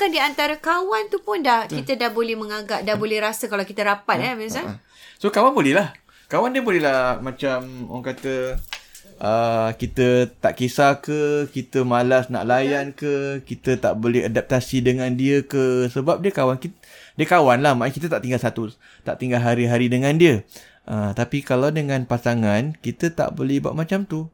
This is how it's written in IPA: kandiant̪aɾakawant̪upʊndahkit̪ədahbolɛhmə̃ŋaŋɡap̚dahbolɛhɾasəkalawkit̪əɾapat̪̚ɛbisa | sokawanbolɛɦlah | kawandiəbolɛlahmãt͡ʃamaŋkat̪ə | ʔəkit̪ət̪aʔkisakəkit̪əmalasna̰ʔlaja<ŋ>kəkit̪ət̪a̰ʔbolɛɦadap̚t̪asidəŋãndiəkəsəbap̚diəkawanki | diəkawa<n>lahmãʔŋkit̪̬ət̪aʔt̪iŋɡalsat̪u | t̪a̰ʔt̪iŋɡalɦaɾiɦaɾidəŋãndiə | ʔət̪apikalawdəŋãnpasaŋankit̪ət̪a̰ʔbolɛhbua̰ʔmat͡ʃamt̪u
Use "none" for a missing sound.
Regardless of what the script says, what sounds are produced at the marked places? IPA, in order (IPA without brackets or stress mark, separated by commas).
n, n